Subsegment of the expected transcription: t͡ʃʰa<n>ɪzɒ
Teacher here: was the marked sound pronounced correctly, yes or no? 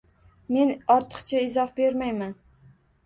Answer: no